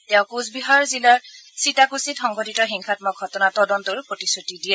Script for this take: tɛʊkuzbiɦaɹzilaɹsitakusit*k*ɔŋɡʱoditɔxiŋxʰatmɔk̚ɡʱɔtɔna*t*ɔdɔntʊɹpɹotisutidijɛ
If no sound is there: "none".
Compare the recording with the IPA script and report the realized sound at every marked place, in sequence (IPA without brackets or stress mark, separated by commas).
x, t